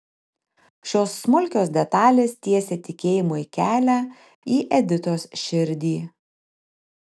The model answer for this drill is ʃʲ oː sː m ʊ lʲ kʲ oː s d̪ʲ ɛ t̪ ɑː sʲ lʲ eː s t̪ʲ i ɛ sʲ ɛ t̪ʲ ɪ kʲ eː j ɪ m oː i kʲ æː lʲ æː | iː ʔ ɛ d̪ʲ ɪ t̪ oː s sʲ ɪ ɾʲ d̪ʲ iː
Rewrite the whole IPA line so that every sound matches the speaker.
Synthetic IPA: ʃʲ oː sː m ʊ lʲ kʲ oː s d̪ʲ ɛ t̪ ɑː lʲ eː s t̪ʲ i ɛ sʲ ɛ t̪ʲ ɪ kʲ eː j ɪ m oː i kʲ æː lʲ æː | iː ʔ ɛ d̪ʲ ɪ t̪ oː s ʃʲ ɪ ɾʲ d̪ʲ iː